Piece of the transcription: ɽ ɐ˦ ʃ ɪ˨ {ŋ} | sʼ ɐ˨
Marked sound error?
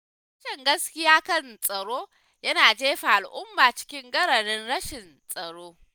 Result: yes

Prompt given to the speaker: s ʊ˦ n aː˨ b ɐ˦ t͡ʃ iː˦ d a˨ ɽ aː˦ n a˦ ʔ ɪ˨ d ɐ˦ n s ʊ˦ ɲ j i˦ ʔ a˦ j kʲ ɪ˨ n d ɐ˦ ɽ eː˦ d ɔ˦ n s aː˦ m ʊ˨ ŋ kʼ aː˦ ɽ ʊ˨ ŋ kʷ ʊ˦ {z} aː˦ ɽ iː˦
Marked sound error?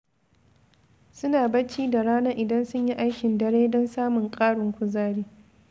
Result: no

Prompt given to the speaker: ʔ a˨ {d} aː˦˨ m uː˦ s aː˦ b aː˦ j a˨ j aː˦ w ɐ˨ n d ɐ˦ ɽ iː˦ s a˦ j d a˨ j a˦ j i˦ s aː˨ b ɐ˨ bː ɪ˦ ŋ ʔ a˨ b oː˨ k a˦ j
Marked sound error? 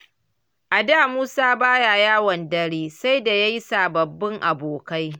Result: no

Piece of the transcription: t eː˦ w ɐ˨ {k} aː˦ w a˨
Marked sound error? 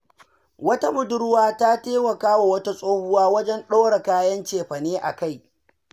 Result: no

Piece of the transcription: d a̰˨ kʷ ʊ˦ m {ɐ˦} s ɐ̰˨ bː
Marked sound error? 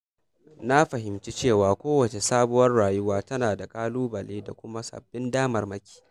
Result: yes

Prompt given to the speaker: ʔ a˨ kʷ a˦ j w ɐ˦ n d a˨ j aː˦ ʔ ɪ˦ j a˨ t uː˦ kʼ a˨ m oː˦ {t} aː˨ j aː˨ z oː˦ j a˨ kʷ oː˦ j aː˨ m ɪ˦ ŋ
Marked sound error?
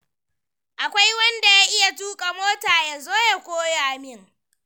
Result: no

